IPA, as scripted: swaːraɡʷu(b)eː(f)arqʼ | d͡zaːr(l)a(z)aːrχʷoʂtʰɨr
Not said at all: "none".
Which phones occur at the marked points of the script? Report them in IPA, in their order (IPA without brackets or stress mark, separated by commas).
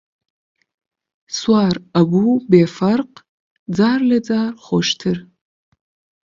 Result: b, f, l, d͡z